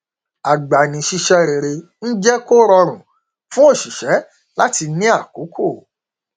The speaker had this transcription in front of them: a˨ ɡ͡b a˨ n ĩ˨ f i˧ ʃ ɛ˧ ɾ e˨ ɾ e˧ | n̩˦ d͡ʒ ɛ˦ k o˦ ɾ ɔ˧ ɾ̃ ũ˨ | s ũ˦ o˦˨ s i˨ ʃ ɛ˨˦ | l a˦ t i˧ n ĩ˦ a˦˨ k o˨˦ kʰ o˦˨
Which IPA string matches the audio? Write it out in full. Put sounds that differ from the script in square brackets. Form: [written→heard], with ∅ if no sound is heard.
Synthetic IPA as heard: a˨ ɡ͡b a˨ n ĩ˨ [f→ʃ] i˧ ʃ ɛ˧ ɾ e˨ ɾ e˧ | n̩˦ d͡ʒ ɛ˦ k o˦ ɾ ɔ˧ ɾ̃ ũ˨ | [s→f] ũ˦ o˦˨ [s→ʃ] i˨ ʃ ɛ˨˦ | l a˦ t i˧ n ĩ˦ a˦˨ k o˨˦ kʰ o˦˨